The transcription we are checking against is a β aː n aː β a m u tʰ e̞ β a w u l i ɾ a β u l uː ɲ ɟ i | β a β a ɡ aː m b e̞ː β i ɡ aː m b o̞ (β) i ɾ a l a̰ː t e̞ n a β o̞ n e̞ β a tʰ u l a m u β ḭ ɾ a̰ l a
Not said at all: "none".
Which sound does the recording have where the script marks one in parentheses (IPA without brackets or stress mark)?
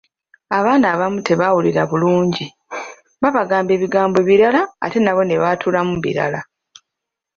β